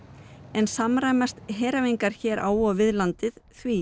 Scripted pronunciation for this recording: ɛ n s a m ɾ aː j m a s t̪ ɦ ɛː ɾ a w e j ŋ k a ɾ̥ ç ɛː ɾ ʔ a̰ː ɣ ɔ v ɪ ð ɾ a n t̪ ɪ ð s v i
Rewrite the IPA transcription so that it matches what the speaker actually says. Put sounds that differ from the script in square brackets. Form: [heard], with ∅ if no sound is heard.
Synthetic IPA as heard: ɛ n s a m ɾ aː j m a s t̪ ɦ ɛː ɾ a [v] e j ŋ k a ɾ̥ ç ɛː ɾ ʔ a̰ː [w] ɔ v ɪ ð [l] a n t̪ ɪ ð [θ] v i